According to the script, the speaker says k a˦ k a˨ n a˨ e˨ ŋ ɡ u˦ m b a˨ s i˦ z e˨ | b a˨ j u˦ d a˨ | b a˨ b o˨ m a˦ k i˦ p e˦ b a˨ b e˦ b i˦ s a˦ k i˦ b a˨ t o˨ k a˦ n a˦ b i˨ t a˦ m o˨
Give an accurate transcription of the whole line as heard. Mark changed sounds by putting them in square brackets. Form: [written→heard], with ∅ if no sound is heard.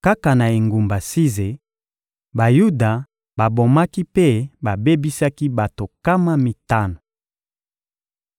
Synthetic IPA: k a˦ k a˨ n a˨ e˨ ŋ ɡ [u˦→u˨] m b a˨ s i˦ z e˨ | b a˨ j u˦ d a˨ | b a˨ b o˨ m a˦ k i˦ p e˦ b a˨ b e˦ b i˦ s a˦ k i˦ b a˨ t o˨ k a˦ [n→m] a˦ [b→m] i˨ t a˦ [m→n] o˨